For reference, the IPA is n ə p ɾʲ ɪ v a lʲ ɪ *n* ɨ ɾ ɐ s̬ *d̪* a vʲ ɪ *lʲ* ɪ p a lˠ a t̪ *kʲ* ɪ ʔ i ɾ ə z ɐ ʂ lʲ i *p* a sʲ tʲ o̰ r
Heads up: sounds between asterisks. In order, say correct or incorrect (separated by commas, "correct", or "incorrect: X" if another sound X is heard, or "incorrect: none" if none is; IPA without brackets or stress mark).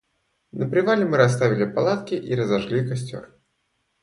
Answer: incorrect: m, incorrect: t̪, correct, correct, incorrect: k